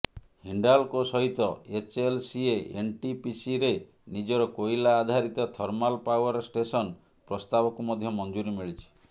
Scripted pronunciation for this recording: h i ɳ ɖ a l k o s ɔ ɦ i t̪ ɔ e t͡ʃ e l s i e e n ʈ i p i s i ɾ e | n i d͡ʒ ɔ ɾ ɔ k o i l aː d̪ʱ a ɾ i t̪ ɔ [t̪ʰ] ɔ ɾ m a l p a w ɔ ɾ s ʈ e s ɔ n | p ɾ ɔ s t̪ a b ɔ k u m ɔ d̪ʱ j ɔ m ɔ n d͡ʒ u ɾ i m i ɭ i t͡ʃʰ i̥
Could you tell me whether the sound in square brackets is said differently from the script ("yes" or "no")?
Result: no